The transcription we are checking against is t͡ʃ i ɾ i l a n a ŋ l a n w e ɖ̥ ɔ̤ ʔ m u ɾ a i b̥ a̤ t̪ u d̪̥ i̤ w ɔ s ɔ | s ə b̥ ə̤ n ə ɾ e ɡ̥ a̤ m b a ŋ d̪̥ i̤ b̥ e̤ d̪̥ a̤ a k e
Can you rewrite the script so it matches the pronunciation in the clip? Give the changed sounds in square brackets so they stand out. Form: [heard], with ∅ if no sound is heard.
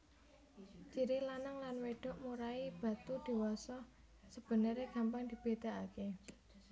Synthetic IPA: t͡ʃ i ɾ i l a n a ŋ l a n w e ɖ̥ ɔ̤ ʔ m u ɾ a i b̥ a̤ t̪ u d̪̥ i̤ w ɔ s ɔ | s ə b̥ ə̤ n ə ɾ e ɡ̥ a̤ m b a ŋ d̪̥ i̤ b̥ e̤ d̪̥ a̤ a k e